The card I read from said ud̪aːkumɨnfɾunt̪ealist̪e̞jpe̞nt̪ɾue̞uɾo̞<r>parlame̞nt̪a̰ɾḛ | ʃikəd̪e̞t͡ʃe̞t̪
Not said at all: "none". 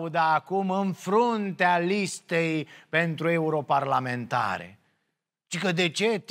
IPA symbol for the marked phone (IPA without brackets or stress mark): none